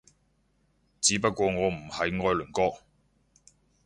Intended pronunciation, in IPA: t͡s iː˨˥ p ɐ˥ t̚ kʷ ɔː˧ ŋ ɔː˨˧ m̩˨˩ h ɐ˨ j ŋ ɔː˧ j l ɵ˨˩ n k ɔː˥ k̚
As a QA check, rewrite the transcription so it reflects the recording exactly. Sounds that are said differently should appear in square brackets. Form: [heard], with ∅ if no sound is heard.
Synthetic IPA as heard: t͡s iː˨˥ p ɐ˥ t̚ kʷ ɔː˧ ŋ ɔː˨˧ m̩˨˩ h ɐ˨ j ŋ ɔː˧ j l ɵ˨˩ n k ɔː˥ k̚